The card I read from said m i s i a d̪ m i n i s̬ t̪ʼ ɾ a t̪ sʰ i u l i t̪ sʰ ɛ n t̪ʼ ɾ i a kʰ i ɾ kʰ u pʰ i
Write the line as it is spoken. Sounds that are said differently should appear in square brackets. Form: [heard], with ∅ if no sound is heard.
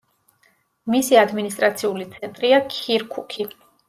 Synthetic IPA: m i s i a d̪ m i n i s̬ t̪ʼ ɾ a t̪ sʰ i u l i t̪ sʰ ɛ n t̪ʼ ɾ i a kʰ i ɾ kʰ u [kʰ] i